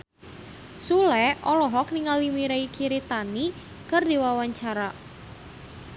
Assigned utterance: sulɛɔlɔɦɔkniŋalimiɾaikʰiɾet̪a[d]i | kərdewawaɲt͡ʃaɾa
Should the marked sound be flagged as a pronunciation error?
yes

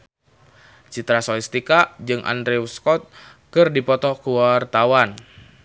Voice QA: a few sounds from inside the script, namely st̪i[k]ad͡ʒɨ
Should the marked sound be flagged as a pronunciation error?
no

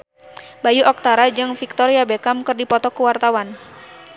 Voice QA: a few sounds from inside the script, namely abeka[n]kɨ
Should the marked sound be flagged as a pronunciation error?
yes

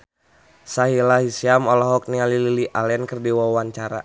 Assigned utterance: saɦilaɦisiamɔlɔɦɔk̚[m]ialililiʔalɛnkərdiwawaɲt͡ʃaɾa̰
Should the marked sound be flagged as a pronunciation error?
yes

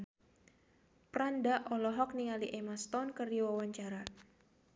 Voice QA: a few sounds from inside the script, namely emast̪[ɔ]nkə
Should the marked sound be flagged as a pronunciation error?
no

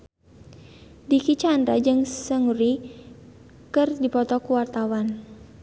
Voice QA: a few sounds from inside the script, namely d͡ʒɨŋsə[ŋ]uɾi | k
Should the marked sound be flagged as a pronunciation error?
no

